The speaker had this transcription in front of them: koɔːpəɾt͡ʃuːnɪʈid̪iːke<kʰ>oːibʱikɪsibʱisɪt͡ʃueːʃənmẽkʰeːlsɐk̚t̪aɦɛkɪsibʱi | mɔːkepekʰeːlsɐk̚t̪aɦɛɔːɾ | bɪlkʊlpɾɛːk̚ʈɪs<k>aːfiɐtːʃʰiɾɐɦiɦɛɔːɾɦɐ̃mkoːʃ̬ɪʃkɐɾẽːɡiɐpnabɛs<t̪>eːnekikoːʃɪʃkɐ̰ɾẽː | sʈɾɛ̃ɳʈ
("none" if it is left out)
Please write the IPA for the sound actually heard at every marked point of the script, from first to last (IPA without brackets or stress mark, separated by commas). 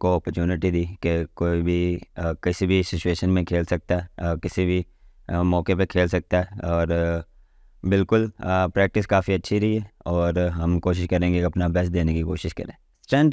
k, k, d̪